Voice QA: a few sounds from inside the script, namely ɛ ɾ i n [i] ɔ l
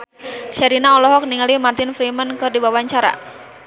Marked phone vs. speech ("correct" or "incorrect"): incorrect